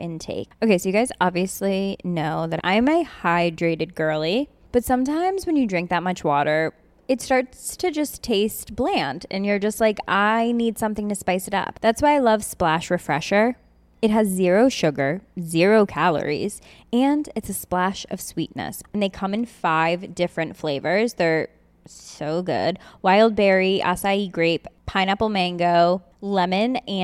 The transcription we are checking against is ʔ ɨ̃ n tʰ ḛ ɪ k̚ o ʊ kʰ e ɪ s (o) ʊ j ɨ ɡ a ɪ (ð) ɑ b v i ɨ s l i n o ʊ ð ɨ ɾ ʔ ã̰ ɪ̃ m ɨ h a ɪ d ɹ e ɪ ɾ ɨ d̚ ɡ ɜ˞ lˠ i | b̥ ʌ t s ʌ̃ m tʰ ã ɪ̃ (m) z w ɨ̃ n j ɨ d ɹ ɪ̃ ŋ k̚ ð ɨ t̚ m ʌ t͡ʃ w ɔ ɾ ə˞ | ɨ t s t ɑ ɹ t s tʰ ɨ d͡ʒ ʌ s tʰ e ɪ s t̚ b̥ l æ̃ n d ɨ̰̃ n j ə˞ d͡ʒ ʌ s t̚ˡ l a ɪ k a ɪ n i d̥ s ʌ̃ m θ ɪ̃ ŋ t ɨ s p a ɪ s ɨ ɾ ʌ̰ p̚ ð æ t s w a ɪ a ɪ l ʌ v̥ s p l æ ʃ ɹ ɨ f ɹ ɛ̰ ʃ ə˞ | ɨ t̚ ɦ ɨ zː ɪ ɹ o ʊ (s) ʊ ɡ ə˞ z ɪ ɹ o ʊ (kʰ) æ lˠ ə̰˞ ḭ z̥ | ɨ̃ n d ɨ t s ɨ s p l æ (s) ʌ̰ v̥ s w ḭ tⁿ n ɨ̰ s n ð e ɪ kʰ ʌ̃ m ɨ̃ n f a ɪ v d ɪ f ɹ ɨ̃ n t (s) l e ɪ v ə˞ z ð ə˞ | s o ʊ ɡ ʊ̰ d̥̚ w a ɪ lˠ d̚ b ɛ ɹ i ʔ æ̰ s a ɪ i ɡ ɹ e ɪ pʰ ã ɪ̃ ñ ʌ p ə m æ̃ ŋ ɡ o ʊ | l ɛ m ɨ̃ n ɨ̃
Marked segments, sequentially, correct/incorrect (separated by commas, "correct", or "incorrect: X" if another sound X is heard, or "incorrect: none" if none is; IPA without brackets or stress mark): correct, incorrect: z, correct, incorrect: ʃ, correct, incorrect: ʃ, incorrect: f